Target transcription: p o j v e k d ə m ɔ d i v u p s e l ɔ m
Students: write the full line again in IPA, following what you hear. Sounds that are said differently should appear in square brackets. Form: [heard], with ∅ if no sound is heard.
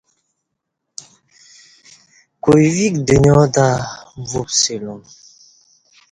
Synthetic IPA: [k] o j v [i] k d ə [ɲ] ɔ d [a] v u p s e l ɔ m